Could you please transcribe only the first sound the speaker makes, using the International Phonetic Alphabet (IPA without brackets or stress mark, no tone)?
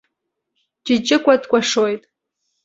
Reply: d͡ʒ